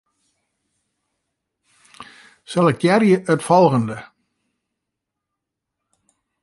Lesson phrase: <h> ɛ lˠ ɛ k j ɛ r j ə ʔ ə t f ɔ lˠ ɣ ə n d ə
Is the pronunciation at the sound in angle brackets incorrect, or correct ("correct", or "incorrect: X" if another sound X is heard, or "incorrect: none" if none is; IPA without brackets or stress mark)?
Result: incorrect: s